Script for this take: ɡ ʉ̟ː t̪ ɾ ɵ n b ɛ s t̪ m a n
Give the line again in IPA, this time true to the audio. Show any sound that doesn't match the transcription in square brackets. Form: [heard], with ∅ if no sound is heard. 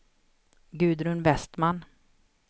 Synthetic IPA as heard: ɡ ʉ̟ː [d̪] ɾ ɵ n [v] ɛ s t̪ m a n